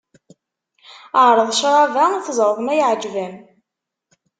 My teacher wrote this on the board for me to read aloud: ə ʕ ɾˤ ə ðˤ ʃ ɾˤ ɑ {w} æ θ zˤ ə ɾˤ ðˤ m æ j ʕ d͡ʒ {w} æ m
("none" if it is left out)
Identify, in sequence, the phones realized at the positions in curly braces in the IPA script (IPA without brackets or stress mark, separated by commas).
v, v